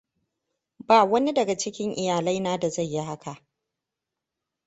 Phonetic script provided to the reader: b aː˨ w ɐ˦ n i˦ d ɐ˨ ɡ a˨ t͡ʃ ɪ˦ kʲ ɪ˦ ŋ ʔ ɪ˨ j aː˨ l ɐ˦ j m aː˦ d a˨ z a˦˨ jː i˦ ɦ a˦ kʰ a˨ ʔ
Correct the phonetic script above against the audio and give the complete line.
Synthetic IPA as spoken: b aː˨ w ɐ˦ n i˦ d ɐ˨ ɡ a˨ t͡ʃ ɪ˦ kʲ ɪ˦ ŋ ʔ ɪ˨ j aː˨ l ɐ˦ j n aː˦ d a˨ z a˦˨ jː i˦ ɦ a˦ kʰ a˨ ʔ